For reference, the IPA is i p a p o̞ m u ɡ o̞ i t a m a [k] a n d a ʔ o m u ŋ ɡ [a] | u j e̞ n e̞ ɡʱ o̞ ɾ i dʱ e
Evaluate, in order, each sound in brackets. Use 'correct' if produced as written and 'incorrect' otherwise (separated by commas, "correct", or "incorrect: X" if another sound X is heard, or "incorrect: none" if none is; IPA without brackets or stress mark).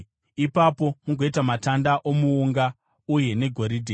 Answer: incorrect: t, correct